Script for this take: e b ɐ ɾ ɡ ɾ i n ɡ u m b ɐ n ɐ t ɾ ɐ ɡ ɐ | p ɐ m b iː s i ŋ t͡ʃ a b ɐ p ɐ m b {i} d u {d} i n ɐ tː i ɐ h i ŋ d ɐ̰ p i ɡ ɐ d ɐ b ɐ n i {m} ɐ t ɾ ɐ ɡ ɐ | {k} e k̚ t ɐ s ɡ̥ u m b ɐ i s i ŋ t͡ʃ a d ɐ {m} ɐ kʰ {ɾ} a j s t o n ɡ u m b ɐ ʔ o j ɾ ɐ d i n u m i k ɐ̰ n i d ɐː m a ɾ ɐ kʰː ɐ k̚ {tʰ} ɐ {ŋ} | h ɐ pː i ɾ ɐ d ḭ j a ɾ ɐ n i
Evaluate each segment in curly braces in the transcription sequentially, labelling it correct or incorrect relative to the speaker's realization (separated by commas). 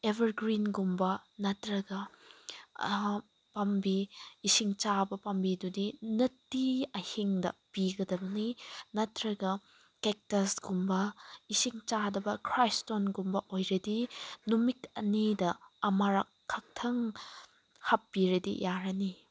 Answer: correct, correct, incorrect, correct, incorrect, correct, correct, correct